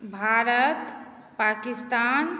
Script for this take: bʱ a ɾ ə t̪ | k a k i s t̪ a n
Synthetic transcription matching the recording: bʱ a ɾ ə t̪ | p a k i s t̪ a n